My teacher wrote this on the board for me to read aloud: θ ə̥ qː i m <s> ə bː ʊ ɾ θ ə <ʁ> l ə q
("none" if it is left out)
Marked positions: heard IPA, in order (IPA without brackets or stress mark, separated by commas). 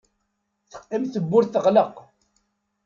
θ, ʁ